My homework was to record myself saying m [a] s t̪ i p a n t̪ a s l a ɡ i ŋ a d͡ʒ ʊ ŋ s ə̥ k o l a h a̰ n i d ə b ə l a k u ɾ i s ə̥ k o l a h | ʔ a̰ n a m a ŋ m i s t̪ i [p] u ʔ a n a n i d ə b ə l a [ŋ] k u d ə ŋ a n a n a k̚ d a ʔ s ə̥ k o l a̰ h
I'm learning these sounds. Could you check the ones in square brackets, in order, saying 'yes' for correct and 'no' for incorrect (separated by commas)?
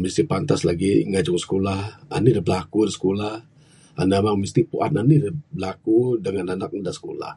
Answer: no, yes, no